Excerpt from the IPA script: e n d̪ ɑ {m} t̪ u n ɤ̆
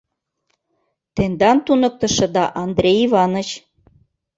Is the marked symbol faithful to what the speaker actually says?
no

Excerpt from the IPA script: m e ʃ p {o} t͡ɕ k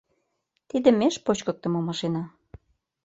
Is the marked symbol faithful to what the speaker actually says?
yes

